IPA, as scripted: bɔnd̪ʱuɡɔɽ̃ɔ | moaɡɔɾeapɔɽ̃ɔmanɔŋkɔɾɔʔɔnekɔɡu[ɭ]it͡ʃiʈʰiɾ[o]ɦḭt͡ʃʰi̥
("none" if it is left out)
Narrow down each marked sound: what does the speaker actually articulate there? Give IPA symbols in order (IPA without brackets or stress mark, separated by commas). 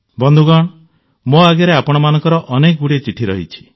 ɽ, ɔ